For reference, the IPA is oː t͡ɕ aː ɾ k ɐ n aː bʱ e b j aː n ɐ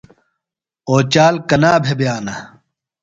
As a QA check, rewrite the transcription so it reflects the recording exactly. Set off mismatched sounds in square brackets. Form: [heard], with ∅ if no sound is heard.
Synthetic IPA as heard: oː t͡ɕ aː [l] k ɐ n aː bʱ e b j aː n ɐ